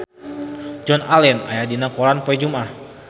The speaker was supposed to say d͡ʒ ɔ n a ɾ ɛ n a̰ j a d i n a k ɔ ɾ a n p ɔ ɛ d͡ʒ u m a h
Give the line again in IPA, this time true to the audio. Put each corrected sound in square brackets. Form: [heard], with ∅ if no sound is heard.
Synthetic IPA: d͡ʒ ɔ n a [l] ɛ n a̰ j a d i n a k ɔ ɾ a n p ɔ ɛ d͡ʒ u m a h